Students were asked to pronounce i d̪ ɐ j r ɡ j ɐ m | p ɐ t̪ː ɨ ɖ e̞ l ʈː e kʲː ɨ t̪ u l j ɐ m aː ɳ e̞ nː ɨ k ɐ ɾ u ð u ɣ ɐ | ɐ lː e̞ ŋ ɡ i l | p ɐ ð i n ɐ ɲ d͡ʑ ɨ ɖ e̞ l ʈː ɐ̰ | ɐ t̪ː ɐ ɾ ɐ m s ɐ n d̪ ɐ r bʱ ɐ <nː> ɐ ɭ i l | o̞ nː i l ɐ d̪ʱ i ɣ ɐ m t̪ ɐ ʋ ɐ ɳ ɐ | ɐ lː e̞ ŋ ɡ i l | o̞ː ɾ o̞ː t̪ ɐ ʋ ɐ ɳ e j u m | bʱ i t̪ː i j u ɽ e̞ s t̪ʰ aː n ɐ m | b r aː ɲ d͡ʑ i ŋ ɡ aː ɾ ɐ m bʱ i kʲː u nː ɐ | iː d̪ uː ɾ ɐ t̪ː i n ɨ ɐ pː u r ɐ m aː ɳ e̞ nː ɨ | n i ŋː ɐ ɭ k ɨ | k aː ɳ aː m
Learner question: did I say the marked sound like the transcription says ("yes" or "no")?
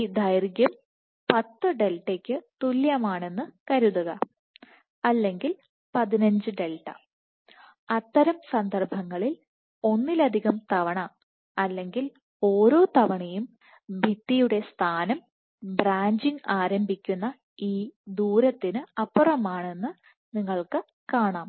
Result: no